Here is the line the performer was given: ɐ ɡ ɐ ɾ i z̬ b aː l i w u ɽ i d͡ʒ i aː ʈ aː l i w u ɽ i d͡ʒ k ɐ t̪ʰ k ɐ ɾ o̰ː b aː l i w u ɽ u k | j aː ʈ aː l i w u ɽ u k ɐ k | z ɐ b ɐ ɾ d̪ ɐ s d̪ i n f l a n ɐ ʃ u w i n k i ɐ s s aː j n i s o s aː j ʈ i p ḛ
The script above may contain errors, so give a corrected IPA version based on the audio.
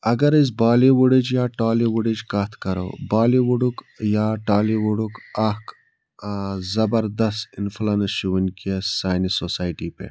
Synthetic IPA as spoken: ɐ ɡ ɐ ɾ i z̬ b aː l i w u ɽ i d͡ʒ j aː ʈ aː l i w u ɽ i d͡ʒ k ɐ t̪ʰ k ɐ ɾ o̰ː b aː l i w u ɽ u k | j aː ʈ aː l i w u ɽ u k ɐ k | z ɐ b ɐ ɾ d̪ ɐ s t̪ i n f l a n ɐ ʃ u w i n k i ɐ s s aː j n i s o s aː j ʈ i p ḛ